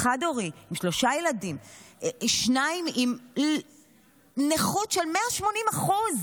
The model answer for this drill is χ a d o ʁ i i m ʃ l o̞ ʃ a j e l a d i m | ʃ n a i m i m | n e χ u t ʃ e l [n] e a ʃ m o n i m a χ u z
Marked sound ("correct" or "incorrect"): incorrect